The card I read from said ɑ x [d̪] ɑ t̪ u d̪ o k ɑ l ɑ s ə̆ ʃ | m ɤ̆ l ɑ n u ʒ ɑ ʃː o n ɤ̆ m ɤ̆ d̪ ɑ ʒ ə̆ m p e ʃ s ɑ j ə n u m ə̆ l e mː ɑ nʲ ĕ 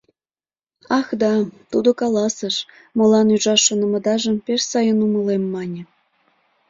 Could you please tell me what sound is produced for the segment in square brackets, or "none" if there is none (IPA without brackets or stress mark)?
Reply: d̪